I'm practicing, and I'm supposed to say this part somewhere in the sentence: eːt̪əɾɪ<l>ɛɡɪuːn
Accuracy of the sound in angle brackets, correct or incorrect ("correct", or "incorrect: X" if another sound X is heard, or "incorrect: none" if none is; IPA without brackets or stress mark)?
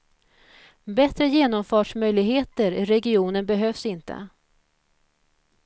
incorrect: ɾ